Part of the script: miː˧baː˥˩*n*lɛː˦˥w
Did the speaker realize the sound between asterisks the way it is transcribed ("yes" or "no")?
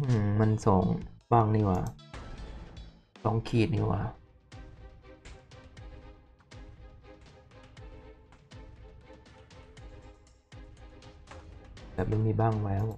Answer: no